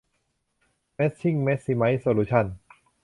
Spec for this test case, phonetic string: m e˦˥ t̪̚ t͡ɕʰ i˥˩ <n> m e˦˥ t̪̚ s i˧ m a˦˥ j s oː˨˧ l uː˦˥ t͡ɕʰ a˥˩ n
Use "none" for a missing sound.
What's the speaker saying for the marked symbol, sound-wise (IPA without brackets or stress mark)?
ŋ